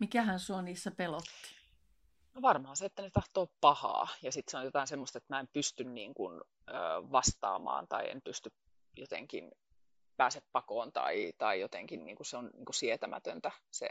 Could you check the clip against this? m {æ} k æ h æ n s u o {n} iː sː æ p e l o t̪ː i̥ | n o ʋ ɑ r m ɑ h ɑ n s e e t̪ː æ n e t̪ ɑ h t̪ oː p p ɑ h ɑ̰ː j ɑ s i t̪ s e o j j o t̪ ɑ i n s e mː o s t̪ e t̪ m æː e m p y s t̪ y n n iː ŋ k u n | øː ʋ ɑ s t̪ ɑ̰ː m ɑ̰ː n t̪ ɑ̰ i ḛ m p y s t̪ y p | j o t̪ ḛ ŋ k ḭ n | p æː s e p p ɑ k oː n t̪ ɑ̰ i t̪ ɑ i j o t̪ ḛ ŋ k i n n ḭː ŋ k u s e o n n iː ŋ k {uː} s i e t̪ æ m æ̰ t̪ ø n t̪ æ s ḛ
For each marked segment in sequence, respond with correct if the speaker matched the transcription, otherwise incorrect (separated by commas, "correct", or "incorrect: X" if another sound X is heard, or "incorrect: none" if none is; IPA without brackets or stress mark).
incorrect: i, correct, incorrect: u